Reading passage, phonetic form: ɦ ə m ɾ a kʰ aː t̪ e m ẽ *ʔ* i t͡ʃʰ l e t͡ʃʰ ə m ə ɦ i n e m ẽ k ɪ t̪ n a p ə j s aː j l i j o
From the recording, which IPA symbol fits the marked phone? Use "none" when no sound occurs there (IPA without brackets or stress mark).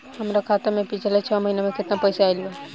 p